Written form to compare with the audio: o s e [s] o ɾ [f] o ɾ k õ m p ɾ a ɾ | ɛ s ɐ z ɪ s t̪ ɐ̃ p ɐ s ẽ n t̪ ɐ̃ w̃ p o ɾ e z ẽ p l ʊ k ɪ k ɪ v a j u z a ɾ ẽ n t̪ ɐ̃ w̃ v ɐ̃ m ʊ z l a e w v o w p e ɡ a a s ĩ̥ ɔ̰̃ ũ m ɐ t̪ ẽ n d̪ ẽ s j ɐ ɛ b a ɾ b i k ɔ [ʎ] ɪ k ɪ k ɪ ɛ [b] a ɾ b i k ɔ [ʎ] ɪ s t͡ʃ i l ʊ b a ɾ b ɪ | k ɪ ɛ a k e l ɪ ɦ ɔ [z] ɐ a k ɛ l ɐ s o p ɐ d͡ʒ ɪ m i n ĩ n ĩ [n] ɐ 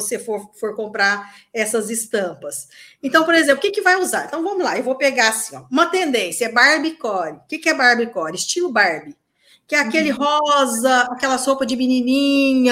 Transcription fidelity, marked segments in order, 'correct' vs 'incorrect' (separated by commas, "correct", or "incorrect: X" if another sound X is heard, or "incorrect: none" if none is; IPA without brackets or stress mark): incorrect: f, correct, incorrect: ɾ, correct, incorrect: ɾ, correct, incorrect: ɲ